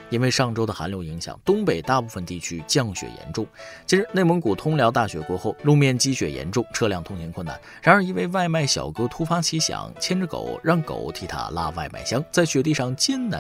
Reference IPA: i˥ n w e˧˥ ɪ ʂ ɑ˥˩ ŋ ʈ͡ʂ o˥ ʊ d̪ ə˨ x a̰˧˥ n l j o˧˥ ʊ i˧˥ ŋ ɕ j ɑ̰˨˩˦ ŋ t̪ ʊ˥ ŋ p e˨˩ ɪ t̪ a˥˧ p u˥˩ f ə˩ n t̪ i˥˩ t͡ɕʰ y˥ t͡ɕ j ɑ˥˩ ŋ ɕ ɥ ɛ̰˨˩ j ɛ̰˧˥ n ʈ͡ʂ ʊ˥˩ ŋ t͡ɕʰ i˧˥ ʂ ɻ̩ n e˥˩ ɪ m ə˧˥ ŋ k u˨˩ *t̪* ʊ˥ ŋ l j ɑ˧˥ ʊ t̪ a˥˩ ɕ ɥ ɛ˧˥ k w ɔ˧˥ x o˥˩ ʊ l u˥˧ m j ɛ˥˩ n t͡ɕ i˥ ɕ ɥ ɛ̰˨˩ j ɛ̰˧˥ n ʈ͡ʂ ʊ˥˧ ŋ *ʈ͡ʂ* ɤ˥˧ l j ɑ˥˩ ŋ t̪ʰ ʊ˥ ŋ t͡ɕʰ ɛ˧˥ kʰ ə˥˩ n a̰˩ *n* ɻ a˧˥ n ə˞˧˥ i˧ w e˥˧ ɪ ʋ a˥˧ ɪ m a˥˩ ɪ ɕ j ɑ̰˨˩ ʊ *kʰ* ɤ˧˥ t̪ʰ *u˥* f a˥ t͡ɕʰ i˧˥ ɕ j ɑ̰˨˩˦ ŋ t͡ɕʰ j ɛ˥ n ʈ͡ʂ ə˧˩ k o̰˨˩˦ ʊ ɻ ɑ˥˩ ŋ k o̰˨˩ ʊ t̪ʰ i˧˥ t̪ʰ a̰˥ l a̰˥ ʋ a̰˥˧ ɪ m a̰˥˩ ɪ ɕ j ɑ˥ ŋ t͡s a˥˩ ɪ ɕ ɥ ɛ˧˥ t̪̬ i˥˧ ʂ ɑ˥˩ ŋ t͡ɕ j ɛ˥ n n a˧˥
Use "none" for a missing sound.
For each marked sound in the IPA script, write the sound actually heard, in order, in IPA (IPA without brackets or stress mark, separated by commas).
t̪ʰ, ʈ͡ʂʰ, n, k, u˥